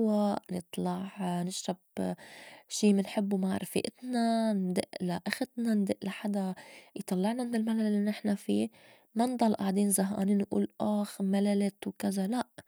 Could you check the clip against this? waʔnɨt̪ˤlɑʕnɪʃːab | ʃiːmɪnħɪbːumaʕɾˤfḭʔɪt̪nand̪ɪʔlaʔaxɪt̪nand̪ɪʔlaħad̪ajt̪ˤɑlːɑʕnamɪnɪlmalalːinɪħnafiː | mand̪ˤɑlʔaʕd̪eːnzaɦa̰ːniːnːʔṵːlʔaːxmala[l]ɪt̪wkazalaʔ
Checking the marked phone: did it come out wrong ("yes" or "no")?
no